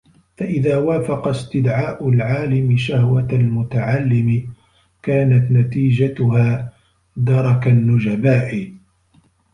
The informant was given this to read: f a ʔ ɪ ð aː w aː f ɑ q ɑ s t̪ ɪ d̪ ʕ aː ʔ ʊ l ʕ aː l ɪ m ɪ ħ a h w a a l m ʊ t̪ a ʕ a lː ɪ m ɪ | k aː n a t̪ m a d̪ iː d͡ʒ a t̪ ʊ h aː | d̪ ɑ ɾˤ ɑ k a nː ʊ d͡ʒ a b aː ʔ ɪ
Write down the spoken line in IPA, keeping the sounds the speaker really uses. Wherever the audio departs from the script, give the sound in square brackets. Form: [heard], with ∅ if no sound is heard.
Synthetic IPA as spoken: f a ʔ ɪ ð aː w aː f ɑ q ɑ s t̪ ɪ d̪ ʕ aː ʔ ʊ l ʕ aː l ɪ m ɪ [ʃ] a h w a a l m ʊ t̪ a ʕ a lː ɪ m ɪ | k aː n a t̪ [n] a [t̪] iː d͡ʒ a t̪ ʊ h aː | d̪ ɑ ɾˤ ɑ k a nː ʊ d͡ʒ a b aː ʔ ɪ